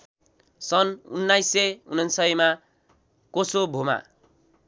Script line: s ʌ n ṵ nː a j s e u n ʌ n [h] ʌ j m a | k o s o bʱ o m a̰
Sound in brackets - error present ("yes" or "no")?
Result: yes